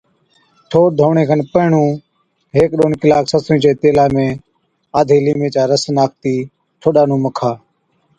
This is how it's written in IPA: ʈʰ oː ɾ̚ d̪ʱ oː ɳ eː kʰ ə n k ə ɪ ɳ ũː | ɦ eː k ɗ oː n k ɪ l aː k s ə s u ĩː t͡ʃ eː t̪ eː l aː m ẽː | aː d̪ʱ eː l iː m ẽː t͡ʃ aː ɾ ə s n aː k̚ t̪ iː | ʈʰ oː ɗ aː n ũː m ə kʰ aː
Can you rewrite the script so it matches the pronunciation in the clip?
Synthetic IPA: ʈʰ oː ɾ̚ d̪ʱ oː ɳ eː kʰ ə n p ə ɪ ɳ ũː | ɦ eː k ɗ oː n k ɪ l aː k s ə s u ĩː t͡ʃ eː t̪ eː l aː m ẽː | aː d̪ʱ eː l iː m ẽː t͡ʃ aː ɾ ə s n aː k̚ t̪ iː | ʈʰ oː ɗ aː n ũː m ə kʰ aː